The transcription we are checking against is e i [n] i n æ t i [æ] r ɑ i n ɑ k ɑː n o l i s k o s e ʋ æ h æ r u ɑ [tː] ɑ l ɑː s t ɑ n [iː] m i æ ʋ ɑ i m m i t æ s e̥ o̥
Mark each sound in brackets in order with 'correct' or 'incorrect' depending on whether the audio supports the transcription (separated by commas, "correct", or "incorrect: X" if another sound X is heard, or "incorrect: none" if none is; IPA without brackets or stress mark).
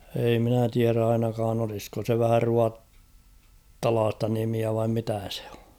incorrect: m, correct, correct, incorrect: i